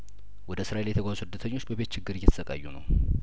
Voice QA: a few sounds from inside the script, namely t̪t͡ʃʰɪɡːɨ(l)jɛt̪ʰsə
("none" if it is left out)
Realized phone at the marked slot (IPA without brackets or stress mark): ɾ